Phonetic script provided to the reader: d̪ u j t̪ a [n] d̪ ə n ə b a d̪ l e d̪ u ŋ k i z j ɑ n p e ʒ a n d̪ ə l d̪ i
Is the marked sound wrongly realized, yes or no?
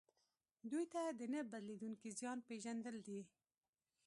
yes